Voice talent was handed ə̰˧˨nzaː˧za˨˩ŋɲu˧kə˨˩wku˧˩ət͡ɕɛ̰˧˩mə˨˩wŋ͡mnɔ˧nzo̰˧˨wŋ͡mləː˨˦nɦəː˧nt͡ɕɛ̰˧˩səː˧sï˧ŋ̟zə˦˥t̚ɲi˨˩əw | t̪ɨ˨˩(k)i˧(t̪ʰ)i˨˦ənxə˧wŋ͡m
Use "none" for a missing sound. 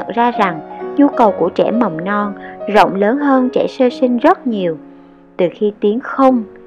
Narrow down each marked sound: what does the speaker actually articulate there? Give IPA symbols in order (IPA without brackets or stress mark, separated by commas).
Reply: x, t̪